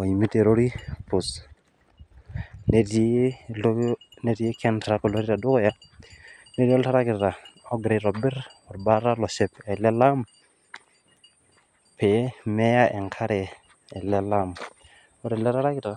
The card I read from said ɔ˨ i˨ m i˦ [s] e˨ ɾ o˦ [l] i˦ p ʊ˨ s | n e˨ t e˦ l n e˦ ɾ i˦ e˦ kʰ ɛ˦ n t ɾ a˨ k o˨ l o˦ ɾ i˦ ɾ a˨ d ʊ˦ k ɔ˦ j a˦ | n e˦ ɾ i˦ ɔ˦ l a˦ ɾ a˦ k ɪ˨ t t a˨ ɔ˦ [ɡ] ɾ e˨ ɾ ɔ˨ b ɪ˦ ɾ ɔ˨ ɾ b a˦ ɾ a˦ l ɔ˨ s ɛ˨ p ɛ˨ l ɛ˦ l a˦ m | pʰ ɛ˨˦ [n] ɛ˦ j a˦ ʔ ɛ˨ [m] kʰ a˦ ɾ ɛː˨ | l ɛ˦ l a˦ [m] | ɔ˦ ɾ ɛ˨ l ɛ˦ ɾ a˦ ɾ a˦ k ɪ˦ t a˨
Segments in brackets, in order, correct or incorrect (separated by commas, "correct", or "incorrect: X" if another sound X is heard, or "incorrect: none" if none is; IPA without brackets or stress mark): incorrect: t, incorrect: ɾ, correct, incorrect: m, incorrect: ŋ, correct